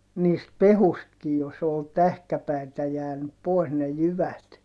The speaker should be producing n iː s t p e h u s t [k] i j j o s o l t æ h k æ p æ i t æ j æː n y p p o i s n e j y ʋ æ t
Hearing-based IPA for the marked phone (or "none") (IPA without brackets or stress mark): k